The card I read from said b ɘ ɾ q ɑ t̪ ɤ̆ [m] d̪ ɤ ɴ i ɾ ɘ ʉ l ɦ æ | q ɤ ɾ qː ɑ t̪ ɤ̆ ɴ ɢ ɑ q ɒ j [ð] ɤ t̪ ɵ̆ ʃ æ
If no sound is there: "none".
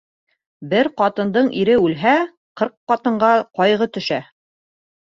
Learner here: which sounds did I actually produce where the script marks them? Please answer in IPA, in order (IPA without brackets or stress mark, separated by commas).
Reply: n, ʁ